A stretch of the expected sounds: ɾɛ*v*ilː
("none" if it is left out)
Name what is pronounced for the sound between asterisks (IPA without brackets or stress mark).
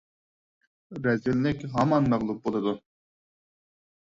z